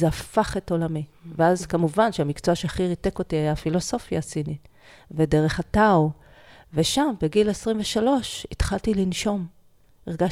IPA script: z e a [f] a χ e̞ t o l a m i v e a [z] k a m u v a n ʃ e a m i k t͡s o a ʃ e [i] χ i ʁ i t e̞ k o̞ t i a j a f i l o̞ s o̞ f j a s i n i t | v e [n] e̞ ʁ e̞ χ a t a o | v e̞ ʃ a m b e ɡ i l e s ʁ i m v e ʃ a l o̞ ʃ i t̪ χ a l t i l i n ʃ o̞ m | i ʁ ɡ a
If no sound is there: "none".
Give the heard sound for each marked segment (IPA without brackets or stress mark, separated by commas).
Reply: f, z, a, d